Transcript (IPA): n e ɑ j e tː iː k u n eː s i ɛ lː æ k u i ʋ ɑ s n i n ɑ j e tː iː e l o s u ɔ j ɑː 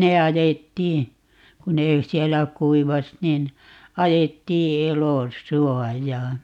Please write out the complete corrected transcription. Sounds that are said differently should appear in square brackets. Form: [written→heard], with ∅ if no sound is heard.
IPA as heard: n e ɑ j e tː iː k u n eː s i ɛ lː æ k u i ʋ ɑ s n i n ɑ j e tː iː e l o s u ɔ j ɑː